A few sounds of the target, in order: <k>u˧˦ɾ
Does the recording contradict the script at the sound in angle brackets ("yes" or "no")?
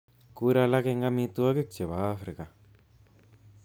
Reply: no